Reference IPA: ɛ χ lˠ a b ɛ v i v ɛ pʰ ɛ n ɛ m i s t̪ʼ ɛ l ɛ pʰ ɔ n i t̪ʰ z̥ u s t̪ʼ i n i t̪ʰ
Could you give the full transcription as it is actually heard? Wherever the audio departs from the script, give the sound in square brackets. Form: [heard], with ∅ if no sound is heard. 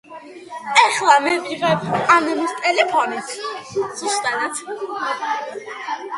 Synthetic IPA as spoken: ɛ χ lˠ a [m] ɛ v i [ʁ] ɛ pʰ [a] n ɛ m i s t̪ʼ ɛ l ɛ pʰ ɔ n i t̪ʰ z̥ u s t̪ʼ [a] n [a] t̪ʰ